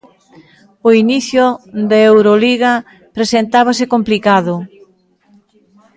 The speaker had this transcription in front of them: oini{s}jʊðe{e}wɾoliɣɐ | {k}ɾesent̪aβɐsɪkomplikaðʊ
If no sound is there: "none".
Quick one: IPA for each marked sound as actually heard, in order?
θ, e, p

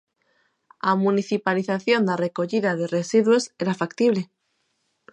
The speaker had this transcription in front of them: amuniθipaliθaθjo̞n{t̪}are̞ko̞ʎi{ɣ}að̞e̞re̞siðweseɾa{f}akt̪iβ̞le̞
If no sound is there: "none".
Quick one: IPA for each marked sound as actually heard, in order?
d̪, ð, f

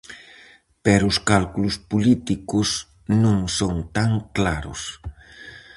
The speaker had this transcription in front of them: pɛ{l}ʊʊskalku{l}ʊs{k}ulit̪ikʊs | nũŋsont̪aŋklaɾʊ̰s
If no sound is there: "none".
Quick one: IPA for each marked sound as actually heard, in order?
ɾ, l, p

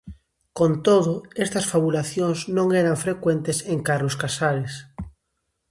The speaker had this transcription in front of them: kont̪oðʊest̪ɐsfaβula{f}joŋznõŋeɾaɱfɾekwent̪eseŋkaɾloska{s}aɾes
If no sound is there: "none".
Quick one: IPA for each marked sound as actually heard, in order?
θ, s

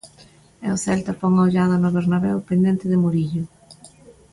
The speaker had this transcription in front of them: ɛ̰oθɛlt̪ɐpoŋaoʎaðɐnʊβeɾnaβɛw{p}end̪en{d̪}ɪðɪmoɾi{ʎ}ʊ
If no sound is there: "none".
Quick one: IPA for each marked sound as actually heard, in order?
p, t̪, ʎ

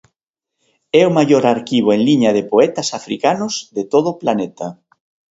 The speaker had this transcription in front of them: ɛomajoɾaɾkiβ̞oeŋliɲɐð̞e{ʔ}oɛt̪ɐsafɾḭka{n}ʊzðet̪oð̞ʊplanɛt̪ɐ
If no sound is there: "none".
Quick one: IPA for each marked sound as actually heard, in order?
p, n

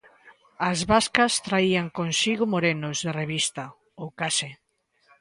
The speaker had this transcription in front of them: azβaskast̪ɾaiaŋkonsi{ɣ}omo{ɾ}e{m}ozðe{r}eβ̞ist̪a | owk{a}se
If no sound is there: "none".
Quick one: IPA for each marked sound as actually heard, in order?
ɣ, ɾ, n, r, a

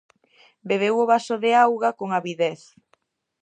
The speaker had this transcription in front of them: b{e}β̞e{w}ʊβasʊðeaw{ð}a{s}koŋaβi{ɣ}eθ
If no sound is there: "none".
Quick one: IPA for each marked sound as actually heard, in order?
e, w, ɣ, none, ð

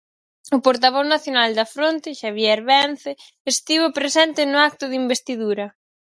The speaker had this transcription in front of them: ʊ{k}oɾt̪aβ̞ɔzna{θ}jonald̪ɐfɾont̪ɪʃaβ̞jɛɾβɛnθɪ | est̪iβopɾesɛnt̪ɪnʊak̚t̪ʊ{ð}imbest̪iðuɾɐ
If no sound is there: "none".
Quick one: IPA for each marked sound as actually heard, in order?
p, θ, ð

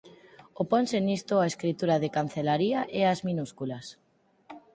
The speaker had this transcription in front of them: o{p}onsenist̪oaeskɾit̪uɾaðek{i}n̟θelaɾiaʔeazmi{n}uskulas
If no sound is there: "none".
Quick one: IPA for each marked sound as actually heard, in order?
p, a, n

